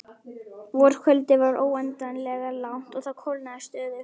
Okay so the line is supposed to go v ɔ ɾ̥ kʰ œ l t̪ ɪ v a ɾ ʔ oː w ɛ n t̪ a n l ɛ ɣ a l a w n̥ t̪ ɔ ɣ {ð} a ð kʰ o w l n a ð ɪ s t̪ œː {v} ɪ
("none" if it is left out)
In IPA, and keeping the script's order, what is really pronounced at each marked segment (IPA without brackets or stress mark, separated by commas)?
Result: θ, ð